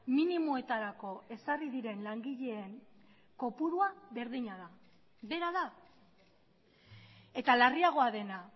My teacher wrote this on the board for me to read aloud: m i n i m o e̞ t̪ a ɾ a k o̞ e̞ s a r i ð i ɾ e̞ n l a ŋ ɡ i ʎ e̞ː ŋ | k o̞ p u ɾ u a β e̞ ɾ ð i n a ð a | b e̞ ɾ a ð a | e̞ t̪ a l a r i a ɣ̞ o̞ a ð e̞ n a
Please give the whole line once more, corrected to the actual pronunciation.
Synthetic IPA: m i n i m o e̞ t̪ a ɾ a k o̞ e̞ s a r i ð i ɾ e̞ n l a ŋ ɡ i ʎ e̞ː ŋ | k o̞ p u ɾ u a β e̞ ɾ ð i ɲ a ð a | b e̞ ɾ a ð a | e̞ t̪ a l a r i a ɣ̞ o̞ a ð e̞ n a